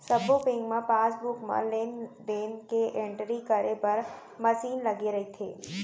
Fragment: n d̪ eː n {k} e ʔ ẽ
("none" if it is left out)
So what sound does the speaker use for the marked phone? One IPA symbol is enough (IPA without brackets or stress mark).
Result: k